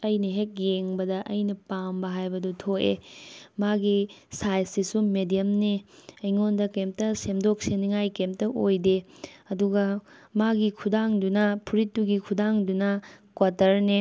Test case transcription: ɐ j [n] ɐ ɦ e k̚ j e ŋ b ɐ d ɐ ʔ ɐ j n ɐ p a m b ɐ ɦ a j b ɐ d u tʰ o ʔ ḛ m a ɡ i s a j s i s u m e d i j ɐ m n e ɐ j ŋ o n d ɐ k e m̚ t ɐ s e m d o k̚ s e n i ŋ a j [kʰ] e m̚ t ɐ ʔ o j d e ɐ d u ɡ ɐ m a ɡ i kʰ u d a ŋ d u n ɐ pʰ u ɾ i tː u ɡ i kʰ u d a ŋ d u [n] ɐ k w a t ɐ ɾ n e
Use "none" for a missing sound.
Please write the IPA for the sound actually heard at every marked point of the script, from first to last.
n, k, n

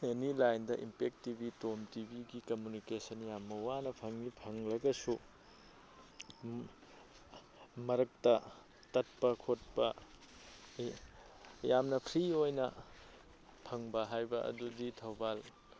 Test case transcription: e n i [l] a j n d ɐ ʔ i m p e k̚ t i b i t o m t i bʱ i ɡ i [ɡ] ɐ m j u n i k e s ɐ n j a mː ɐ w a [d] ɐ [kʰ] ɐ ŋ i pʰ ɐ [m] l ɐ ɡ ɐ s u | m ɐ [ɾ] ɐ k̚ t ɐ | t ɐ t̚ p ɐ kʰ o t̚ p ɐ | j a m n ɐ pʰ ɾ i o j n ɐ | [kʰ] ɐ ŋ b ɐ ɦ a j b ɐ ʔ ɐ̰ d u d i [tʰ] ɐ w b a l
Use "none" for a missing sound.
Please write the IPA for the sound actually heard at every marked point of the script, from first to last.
l, k, n, pʰ, ŋ, ɾ, pʰ, tʰ

